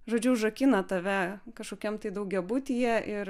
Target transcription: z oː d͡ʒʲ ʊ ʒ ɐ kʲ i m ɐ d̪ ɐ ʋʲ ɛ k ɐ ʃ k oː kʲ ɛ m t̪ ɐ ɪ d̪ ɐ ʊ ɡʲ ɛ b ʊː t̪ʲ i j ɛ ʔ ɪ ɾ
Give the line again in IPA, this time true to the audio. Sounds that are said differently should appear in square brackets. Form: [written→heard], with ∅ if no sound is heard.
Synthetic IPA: [z→ʒ] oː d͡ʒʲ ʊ ʒ ɐ kʲ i [m→n] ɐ [d̪→t̪] ɐ ʋʲ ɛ k ɐ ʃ k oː kʲ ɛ m t̪ ɐ ɪ d̪ ɐ ʊ ɡʲ ɛ b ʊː t̪ʲ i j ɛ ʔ ɪ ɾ

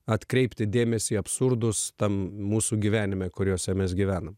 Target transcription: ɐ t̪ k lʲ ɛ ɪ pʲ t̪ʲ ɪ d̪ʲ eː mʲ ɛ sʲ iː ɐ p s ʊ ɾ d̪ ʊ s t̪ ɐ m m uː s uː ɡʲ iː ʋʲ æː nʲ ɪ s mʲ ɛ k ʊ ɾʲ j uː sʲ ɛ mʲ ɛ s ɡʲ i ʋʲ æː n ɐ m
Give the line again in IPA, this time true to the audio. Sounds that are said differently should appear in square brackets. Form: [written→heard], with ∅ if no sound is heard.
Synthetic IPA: ɐ t̪ k [lʲ→ɾʲ] ɛ ɪ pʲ t̪ʲ ɪ d̪ʲ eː mʲ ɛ sʲ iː ɐ p s ʊ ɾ d̪ ʊ s t̪ ɐ m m uː s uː ɡʲ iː ʋʲ æː nʲ ɪ [s→∅] mʲ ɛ k ʊ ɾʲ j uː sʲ ɛ mʲ ɛ s ɡʲ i ʋʲ æː n ɐ m

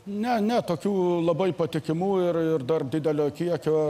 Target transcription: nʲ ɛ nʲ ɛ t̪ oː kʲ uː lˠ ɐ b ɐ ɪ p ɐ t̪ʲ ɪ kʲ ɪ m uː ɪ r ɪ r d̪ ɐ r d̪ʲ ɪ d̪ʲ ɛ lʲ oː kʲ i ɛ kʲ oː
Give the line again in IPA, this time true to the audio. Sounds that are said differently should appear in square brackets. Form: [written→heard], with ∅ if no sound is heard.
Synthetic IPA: nʲ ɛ nʲ ɛ t̪ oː kʲ uː lˠ ɐ b ɐ ɪ p ɐ t̪ʲ ɪ kʲ ɪ m uː ɪ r ɪ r d̪ ɐ r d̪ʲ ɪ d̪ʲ ɛ lʲ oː kʲ i ɛ kʲ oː

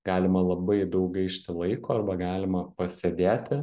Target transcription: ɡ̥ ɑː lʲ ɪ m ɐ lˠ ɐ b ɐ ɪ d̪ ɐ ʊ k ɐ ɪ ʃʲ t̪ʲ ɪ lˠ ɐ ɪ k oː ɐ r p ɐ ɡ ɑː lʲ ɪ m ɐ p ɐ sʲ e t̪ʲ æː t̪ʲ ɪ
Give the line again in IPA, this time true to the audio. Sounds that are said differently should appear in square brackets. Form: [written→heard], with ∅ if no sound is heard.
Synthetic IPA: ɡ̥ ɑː lʲ ɪ m ɐ lˠ ɐ b ɐ ɪ d̪ ɐ ʊ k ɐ ɪ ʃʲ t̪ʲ ɪ lˠ ɐ ɪ k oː ɐ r [p→b] ɐ ɡ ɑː lʲ ɪ m ɐ p ɐ sʲ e [t̪ʲ→d̪ʲ] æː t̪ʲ ɪ

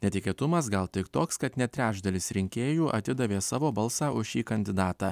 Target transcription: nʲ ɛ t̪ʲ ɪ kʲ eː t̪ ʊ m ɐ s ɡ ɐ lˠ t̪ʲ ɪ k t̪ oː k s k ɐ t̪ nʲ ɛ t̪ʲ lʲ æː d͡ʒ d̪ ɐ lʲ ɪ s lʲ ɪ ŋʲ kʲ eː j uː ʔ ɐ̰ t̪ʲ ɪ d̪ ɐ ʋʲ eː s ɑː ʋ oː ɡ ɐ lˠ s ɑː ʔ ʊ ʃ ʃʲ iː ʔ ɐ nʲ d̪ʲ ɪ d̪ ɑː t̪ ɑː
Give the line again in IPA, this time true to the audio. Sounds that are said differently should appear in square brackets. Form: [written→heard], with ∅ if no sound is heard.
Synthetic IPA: nʲ ɛ t̪ʲ ɪ kʲ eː t̪ ʊ m ɐ s ɡ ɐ lˠ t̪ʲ ɪ k t̪ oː k s k ɐ t̪ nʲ ɛ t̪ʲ [lʲ→ɾʲ] æː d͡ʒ d̪ ɐ lʲ ɪ s [lʲ→ɾʲ] ɪ ŋʲ kʲ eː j uː ʔ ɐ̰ t̪ʲ ɪ d̪ ɐ ʋʲ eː s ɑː ʋ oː [ɡ→b] ɐ lˠ s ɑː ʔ ʊ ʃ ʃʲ iː [ʔ→k] ɐ nʲ d̪ʲ ɪ d̪ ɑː t̪ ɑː

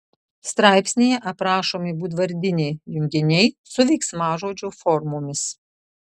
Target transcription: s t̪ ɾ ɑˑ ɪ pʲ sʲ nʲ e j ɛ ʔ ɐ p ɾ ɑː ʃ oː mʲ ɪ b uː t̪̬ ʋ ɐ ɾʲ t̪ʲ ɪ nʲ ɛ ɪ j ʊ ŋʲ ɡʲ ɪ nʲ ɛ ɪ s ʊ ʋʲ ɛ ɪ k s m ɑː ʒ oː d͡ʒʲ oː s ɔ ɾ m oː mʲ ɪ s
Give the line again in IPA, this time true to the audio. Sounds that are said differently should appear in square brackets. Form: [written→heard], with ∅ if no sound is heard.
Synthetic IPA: s t̪ ɾ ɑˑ ɪ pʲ sʲ nʲ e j ɛ ʔ ɐ p ɾ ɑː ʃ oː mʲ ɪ b uː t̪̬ ʋ ɐ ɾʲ [t̪ʲ→d̪ʲ] ɪ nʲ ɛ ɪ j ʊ ŋʲ ɡʲ ɪ nʲ ɛ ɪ s ʊ ʋʲ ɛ ɪ k s m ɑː ʒ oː d͡ʒʲ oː [s→f] ɔ ɾ m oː mʲ ɪ s

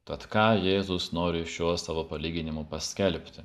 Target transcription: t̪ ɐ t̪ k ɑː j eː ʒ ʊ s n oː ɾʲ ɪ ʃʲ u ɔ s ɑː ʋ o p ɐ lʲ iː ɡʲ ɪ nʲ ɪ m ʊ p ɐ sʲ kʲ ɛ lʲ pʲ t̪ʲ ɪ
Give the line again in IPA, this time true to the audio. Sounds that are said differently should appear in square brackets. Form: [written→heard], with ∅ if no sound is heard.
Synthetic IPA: t̪ ɐ t̪ k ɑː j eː [ʒ→z] ʊ s n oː ɾʲ ɪ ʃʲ u ɔ s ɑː ʋ o p ɐ lʲ iː ɡʲ ɪ nʲ ɪ m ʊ p ɐ sʲ kʲ ɛ lʲ pʲ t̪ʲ ɪ

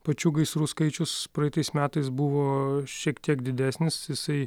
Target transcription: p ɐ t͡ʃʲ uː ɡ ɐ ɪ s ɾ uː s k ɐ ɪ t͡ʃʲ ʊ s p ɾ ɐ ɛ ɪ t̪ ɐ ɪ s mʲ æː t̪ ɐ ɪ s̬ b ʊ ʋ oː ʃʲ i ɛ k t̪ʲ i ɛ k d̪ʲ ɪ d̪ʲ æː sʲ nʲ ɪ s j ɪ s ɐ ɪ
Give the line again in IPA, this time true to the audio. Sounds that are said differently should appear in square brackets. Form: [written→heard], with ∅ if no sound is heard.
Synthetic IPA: p ɐ t͡ʃʲ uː ɡ ɐ ɪ s ɾ uː s k ɐ ɪ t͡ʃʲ ʊ s p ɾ ɐ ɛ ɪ t̪ ɐ ɪ s mʲ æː t̪ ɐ ɪ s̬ b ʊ ʋ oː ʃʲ i ɛ k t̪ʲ i ɛ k d̪ʲ ɪ d̪ʲ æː sʲ nʲ ɪ s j ɪ s ɐ ɪ

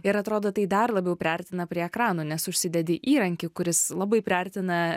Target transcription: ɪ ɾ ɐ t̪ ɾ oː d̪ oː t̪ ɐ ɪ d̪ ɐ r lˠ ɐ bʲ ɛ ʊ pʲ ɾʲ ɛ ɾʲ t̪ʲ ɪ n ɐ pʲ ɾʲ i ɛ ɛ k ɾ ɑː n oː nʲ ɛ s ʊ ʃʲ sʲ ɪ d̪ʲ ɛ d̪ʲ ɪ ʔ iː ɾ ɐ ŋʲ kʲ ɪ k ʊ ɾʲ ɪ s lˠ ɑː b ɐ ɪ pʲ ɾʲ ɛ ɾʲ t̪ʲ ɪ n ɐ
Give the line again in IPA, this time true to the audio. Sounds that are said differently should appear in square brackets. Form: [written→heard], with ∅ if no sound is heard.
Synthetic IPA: ɪ ɾ ɐ t̪ ɾ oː d̪ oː t̪ ɐ ɪ d̪ ɐ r lˠ ɐ bʲ ɛ ʊ pʲ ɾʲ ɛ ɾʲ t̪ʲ ɪ n ɐ pʲ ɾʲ i ɛ ɛ k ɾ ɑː n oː nʲ ɛ s ʊ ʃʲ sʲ ɪ d̪ʲ ɛ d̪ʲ ɪ ʔ iː ɾ ɐ ŋʲ kʲ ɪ k ʊ ɾʲ ɪ s lˠ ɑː b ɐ ɪ pʲ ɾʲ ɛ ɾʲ t̪ʲ ɪ n ɐ

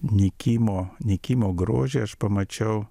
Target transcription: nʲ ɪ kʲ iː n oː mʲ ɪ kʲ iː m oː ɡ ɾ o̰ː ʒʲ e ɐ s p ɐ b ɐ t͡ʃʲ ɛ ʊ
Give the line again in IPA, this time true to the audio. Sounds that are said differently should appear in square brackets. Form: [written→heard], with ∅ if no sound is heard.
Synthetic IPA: nʲ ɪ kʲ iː [n→m] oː [mʲ→nʲ] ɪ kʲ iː m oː ɡ ɾ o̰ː ʒʲ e ɐ [s→ʃ] p ɐ [b→m] ɐ t͡ʃʲ ɛ ʊ

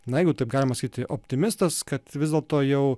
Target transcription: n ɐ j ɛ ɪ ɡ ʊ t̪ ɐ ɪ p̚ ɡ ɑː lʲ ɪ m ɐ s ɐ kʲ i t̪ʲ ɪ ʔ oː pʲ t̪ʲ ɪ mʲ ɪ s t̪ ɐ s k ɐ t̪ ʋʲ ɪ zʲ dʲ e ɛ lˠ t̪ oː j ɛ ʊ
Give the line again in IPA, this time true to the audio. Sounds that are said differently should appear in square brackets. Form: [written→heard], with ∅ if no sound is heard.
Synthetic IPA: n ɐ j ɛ ɪ ɡ ʊ t̪ ɐ ɪ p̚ ɡ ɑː lʲ ɪ m ɐ s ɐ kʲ i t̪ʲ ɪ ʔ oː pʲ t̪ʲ ɪ mʲ ɪ s t̪ ɐ s k ɐ t̪ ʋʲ ɪ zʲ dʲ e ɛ lˠ t̪ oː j ɛ ʊ

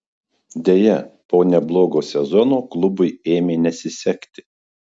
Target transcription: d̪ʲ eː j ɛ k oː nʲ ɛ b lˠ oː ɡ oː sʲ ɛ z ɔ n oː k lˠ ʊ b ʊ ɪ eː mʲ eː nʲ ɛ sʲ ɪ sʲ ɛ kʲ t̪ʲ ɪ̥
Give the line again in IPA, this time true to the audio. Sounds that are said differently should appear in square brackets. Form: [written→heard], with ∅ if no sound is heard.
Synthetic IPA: d̪ʲ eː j ɛ [k→p] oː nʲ ɛ b lˠ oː ɡ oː sʲ ɛ z ɔ n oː k lˠ ʊ b ʊ ɪ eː mʲ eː nʲ ɛ sʲ ɪ sʲ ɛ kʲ t̪ʲ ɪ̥

